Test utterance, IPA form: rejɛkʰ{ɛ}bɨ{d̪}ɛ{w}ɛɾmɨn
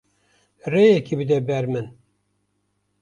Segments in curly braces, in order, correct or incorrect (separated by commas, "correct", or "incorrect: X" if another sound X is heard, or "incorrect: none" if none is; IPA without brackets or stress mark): incorrect: i, correct, incorrect: b